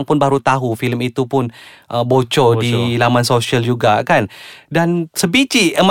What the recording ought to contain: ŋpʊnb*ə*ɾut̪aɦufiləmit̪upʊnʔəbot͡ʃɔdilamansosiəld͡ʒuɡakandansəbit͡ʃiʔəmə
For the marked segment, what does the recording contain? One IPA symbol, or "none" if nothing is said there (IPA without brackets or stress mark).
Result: a